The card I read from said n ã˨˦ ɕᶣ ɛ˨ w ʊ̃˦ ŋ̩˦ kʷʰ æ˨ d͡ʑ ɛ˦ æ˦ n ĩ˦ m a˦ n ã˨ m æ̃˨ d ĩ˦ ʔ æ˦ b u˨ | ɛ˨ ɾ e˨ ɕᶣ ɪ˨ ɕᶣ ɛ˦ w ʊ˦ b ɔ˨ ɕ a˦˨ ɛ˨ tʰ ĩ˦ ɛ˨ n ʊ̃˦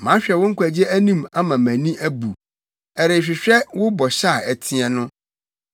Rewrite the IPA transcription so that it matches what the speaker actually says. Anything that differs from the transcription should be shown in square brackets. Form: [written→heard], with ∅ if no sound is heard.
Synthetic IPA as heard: [n→m] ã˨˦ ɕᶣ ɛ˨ w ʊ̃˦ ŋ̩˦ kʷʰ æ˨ d͡ʑ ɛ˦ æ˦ n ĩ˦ m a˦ [n→m] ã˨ m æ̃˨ [d→n] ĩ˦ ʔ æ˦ b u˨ | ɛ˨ ɾ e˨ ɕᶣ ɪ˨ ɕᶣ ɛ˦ w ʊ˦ b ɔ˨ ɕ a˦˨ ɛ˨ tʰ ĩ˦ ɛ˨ n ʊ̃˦